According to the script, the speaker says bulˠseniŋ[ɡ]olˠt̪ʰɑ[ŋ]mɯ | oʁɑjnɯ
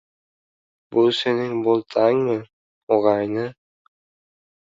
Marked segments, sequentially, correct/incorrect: incorrect: b, correct

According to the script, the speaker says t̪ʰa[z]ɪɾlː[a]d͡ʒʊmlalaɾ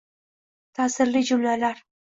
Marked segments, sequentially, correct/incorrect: incorrect: s, incorrect: i

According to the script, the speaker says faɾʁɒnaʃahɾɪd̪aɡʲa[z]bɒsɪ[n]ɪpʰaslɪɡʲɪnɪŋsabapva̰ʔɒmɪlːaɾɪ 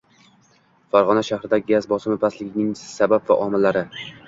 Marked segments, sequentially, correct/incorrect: correct, incorrect: m

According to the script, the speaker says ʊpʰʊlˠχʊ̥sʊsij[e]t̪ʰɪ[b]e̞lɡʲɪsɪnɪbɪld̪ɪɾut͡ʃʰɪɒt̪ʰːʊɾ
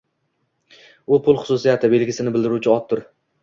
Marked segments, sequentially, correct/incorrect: incorrect: a, correct

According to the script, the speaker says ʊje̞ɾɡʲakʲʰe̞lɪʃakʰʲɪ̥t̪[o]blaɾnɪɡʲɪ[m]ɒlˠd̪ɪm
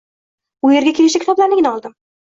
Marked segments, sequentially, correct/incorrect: incorrect: ɒ, incorrect: n

